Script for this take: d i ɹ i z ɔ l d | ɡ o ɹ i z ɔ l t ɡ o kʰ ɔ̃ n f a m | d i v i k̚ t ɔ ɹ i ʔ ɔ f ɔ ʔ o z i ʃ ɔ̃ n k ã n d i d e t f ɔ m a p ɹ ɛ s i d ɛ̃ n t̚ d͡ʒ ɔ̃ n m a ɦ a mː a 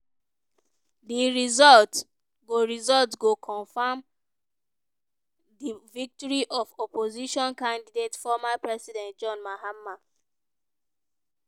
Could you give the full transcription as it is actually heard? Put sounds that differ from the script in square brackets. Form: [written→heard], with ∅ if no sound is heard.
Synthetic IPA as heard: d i ɹ i z ɔ l [d→t] | ɡ o ɹ i z ɔ l t ɡ o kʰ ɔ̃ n f a m | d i v i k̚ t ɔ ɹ i ʔ ɔ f ɔ [ʔ→p] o z i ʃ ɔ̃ n k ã n d i d e t f ɔ m a p ɹ ɛ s i d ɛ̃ n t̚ d͡ʒ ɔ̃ n m a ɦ a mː a